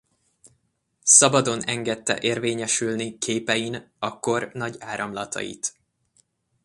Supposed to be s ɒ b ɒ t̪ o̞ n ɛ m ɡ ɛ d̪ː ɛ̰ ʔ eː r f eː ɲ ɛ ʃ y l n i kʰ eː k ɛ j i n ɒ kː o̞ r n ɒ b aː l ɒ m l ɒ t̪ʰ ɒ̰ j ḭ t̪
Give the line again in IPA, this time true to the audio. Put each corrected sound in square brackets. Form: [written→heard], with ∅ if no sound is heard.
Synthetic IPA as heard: s ɒ b ɒ [t̪→d̪] o̞ n ɛ [m→ŋ] ɡ ɛ [d̪ː→t̪ː] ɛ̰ ʔ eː r [f→v] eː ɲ ɛ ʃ y l n i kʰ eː [k→p] ɛ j i n ɒ kː o̞ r n ɒ [b→ɟ] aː [l→ɾ] ɒ m l ɒ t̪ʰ ɒ̰ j ḭ t̪